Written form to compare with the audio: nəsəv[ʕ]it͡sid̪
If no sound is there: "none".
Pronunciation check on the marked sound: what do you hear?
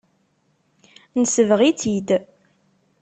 ʁ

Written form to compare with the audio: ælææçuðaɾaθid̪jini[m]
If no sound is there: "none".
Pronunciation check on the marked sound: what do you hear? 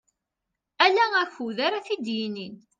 n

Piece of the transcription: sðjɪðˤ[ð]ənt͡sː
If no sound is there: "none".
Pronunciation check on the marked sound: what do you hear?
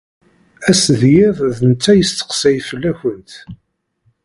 ð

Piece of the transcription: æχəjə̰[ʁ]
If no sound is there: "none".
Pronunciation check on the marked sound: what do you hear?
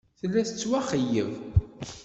v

